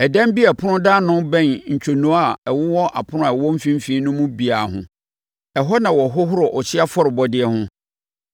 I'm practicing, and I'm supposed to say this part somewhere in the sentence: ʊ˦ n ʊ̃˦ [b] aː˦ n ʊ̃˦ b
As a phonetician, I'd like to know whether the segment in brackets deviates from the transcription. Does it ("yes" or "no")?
yes